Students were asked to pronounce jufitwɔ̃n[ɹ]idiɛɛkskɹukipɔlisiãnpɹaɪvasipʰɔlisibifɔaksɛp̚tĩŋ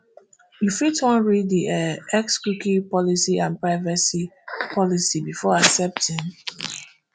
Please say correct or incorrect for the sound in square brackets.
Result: correct